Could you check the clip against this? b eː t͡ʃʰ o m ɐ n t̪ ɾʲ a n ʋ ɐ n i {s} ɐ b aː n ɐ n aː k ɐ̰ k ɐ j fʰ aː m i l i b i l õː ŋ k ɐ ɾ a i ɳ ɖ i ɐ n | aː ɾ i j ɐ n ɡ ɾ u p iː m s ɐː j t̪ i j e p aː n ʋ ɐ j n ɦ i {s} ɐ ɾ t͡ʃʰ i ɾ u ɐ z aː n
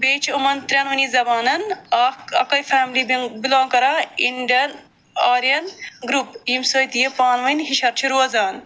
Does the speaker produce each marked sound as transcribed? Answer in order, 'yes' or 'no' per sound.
no, no

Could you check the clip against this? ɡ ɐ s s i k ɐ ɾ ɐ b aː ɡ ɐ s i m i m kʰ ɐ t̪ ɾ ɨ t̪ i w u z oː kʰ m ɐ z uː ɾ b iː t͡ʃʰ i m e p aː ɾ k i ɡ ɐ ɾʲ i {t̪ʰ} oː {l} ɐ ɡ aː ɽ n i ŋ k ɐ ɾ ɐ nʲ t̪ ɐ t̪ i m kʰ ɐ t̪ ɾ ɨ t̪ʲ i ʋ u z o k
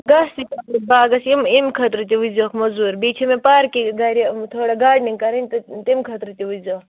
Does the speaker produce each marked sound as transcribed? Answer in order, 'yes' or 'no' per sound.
yes, no

